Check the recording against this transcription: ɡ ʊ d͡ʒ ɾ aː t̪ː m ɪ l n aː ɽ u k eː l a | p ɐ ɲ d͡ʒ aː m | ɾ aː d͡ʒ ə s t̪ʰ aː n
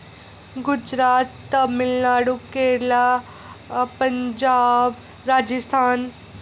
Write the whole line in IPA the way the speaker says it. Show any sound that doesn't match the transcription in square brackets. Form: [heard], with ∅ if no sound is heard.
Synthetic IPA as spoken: ɡ ʊ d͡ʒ ɾ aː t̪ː m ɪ l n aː ɽ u k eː l a | p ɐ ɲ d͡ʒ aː [b] | ɾ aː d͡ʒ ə s t̪ʰ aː n